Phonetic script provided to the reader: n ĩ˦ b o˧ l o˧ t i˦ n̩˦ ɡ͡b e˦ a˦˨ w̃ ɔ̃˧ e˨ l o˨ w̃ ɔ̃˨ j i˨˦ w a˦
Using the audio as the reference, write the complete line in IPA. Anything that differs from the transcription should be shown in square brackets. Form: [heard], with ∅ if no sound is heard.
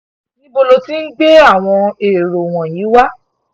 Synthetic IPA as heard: n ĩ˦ b o˧ l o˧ t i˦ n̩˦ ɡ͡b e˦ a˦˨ w̃ ɔ̃˧ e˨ [ɾ] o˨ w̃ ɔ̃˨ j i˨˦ w a˦